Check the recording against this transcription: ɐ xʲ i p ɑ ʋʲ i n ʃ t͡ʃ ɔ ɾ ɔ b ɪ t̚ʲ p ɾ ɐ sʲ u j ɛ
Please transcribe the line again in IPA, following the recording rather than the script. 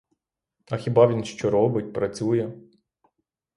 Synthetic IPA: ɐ xʲ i b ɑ ʋʲ i n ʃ t͡ʃ ɔ ɾ ɔ b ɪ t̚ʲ p ɾ ɐ t͡sʲ u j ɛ